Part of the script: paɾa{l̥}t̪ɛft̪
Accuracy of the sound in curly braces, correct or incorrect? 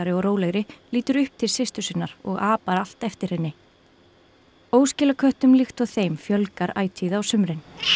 correct